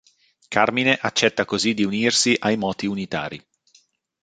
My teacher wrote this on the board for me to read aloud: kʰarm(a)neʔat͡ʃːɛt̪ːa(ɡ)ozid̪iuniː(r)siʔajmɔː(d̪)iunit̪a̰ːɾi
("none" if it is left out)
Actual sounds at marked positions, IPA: i, k, r, t̪

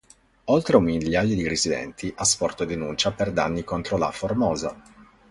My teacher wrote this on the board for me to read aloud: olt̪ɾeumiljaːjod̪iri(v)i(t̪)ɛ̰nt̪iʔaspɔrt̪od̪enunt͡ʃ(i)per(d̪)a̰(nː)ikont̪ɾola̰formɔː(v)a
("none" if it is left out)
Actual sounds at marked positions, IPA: z, d̪, a, d̪, nː, z

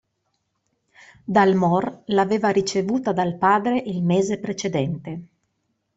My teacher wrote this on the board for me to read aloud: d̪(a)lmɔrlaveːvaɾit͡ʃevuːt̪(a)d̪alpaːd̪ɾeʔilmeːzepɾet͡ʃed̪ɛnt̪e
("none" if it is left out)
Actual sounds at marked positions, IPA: a, a

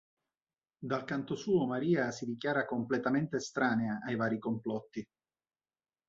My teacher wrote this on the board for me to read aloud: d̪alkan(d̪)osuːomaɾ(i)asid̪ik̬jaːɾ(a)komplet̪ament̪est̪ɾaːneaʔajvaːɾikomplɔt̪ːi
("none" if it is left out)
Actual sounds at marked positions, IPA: t̪, iː, a

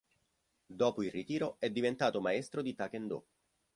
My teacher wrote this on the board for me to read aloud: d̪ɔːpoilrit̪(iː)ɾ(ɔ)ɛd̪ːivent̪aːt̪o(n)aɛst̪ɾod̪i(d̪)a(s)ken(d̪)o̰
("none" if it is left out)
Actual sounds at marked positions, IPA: iː, o, m, t̪, none, d̪

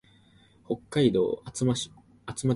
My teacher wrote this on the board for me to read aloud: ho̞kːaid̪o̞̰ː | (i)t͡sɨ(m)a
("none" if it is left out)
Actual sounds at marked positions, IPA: a, m

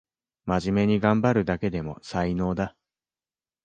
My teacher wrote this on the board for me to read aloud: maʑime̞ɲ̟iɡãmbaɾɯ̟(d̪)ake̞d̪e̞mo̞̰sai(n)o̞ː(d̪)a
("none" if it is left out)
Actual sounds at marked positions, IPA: d̪, n, d̪

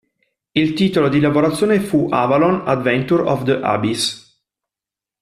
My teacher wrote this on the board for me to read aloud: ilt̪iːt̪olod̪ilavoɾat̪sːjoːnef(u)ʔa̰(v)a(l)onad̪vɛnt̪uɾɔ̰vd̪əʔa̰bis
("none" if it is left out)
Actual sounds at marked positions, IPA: u, v, l

